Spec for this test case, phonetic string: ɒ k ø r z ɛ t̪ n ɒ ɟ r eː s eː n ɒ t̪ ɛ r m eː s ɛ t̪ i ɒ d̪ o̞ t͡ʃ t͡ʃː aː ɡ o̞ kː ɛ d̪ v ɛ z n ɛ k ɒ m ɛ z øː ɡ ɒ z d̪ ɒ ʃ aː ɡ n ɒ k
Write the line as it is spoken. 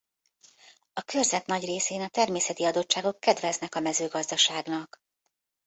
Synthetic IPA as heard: ɒ k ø r z ɛ t̪ n ɒ ɟ r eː s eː n ɒ t̪ ɛ r m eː s ɛ t̪ i ɒ d̪ o̞ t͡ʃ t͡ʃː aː ɡ o̞ kː ɛ d̪ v ɛ z n ɛ k ɒ m ɛ z øː ɡ ɒ z d̪ ɒ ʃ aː ɡ n ɒ k